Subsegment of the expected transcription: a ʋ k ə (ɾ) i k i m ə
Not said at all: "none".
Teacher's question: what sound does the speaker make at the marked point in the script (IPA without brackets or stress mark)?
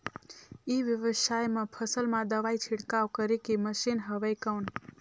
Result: ɾ